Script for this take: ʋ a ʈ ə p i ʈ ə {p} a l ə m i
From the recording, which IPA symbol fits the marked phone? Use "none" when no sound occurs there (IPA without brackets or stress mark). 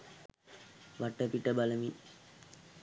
b